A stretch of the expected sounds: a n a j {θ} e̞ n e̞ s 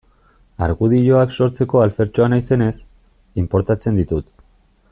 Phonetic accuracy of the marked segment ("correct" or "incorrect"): incorrect